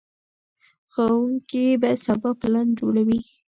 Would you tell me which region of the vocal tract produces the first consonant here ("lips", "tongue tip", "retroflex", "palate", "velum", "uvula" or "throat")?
velum